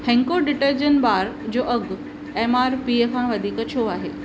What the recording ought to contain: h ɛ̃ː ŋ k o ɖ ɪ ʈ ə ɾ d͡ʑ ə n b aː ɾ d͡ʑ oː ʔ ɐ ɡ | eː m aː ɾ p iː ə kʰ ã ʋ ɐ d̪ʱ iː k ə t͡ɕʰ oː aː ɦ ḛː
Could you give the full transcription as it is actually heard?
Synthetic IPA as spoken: h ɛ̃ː ŋ k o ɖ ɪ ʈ ə ɾ d͡ʑ ə n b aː ɾ d͡ʑ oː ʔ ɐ ɡ | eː m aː ɾ p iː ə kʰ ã ʋ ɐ d̪ʱ iː k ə t͡ɕʰ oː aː ɦ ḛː